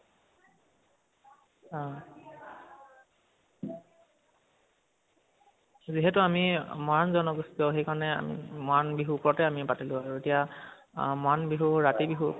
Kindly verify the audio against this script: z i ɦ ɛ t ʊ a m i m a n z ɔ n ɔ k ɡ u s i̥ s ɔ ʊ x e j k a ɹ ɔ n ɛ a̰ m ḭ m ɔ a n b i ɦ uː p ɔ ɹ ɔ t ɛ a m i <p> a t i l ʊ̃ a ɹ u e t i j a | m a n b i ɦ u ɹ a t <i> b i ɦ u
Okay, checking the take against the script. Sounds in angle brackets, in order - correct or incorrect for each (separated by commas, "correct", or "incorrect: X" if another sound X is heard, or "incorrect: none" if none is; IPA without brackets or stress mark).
correct, correct